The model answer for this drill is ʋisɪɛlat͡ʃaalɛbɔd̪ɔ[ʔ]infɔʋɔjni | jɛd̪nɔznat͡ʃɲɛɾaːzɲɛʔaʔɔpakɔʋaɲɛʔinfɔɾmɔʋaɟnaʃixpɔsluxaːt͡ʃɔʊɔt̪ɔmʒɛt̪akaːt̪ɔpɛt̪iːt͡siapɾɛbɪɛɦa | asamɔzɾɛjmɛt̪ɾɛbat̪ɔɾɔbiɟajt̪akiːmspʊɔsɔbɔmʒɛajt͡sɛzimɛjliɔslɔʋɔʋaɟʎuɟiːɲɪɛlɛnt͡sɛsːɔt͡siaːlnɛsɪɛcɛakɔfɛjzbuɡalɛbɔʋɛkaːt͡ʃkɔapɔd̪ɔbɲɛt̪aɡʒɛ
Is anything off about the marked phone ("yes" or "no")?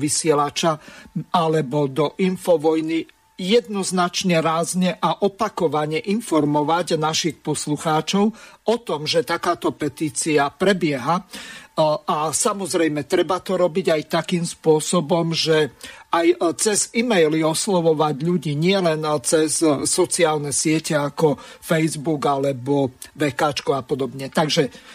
no